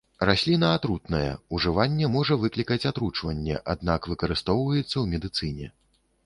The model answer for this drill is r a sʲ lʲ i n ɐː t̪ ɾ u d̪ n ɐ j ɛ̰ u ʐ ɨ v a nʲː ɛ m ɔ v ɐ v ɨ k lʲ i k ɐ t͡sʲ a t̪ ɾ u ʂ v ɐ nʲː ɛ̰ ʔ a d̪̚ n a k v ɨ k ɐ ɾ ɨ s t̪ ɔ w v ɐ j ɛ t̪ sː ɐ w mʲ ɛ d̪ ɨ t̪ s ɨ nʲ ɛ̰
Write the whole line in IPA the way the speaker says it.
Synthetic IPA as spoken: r a sʲ lʲ i n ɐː t̪ ɾ u t̪ n ɐ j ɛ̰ u ʐ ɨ v a nʲː ɛ m ɔ ʐ ɐ v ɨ k lʲ i k ɐ t͡sʲ a t̪ ɾ u t͡ʂ v ɐ nʲː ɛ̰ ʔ a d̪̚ n a k v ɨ k ɐ ɾ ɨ s t̪ ɔ w v ɐ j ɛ t̪ sː ɐ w mʲ ɛ d̪ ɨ t̪ s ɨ nʲ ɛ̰